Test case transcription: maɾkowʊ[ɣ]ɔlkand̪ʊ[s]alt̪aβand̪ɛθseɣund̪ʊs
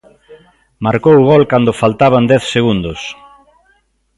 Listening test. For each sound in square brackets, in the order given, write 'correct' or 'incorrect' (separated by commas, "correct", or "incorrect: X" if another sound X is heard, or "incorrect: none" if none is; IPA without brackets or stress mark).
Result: correct, incorrect: f